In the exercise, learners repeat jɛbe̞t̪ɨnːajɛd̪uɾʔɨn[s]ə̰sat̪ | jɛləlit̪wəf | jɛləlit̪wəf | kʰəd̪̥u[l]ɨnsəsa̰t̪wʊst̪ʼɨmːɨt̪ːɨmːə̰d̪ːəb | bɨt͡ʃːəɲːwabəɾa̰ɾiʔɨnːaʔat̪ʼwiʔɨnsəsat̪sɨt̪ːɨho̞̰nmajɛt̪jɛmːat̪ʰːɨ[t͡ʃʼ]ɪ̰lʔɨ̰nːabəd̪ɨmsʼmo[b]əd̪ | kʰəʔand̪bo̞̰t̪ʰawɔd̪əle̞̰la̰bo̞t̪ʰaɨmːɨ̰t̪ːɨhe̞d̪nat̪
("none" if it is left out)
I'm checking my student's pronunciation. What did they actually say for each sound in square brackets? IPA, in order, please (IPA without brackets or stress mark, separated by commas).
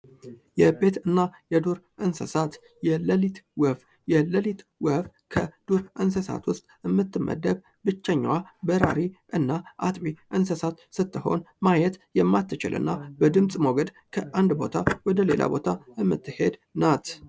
s, ɾ, t͡ʃ, ɡ